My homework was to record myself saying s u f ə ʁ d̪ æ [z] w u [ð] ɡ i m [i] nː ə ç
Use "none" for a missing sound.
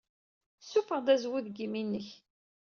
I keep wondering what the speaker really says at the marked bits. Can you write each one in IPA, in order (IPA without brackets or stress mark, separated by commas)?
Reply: z, ð, i